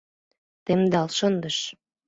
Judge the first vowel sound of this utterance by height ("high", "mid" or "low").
mid